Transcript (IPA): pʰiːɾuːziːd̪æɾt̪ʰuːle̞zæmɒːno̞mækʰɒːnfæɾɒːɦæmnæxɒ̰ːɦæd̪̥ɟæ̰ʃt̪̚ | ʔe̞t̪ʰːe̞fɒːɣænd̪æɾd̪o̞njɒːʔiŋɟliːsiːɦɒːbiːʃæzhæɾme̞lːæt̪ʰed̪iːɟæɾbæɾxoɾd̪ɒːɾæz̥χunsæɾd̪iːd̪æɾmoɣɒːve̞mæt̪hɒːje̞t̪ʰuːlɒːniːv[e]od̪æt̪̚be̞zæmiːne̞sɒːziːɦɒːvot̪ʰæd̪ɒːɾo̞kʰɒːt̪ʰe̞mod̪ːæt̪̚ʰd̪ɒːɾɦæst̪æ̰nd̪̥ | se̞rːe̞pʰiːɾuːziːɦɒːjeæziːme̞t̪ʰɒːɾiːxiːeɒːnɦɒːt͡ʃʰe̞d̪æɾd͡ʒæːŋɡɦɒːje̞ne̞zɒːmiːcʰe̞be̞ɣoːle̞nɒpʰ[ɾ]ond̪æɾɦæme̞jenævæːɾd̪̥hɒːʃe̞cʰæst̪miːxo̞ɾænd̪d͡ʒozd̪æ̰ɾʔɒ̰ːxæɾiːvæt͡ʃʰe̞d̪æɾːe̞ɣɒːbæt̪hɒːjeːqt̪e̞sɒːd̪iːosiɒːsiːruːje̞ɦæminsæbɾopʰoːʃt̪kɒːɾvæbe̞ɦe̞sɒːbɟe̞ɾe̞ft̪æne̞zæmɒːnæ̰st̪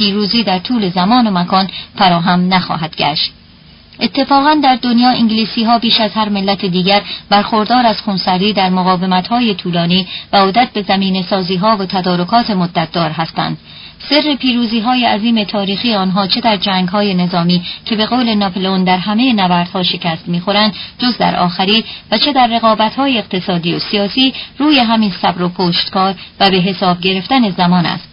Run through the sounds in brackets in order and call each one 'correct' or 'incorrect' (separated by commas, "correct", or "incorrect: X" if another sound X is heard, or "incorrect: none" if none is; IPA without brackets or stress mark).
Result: incorrect: æ, incorrect: l